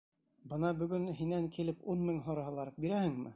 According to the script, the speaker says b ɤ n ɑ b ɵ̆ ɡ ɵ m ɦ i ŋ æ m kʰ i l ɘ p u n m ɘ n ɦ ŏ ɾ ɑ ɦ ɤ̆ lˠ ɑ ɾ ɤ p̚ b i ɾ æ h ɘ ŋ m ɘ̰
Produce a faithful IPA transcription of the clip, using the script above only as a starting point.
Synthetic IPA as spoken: b ɤ n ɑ b ɵ̆ ɡ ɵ n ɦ i n æ ŋ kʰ i l ɘ p u n m ɘ ŋ ɦ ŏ ɾ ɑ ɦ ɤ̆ lˠ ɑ ɾ ɤ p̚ b i ɾ æ h ɘ ŋ m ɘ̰